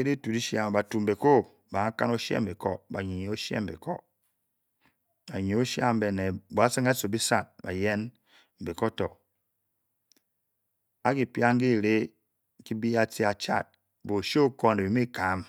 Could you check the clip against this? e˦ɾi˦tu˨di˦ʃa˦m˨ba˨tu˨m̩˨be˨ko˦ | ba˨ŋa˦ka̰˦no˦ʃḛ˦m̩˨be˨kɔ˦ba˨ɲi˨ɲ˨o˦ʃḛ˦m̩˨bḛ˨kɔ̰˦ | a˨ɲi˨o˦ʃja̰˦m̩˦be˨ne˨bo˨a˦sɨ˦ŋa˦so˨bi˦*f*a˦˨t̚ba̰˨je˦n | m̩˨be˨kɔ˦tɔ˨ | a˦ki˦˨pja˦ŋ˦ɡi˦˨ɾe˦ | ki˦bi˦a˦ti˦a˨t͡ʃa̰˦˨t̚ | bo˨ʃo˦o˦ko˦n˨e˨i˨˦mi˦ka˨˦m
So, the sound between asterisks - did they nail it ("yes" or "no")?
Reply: no